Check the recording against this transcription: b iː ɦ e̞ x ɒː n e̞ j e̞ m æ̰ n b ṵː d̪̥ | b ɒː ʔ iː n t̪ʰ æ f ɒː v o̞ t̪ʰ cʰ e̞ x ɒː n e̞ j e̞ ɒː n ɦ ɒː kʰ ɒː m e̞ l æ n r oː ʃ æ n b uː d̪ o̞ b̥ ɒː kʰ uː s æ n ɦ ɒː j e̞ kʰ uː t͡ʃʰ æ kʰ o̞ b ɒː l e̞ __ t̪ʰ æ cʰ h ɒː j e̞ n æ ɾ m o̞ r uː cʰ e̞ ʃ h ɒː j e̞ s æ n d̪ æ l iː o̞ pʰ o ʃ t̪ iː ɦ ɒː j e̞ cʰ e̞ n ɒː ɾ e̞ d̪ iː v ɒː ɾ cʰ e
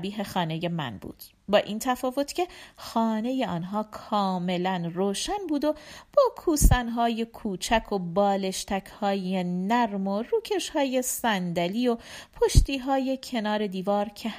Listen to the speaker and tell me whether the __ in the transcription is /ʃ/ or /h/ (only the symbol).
ʃ